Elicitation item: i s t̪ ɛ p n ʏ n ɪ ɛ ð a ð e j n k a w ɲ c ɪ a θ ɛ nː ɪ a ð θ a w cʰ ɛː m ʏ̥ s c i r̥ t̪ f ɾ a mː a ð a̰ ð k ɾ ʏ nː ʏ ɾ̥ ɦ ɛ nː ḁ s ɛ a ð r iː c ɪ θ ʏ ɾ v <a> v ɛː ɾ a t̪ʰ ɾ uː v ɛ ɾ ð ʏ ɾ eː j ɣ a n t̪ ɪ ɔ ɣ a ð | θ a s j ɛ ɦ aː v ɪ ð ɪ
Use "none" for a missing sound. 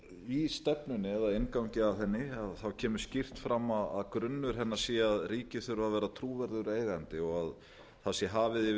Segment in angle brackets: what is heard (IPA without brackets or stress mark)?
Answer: a